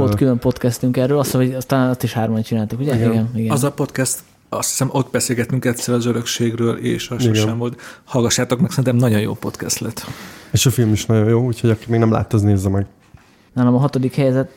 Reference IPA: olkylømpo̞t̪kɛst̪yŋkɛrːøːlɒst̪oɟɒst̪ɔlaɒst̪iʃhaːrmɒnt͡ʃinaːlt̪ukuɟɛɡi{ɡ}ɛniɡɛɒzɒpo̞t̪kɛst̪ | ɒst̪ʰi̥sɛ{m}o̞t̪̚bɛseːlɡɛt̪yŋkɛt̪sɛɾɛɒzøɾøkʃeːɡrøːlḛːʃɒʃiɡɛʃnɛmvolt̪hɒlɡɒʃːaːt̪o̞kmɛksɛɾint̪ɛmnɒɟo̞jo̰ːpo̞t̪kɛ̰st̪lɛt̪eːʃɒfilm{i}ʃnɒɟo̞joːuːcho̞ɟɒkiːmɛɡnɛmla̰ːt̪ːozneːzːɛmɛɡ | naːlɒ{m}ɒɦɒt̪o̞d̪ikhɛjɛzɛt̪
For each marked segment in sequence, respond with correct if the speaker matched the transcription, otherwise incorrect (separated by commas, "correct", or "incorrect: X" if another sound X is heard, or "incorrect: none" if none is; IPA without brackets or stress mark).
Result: correct, correct, correct, correct